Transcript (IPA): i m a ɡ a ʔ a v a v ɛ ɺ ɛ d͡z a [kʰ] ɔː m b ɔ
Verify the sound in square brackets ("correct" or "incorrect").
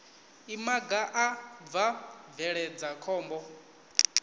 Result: correct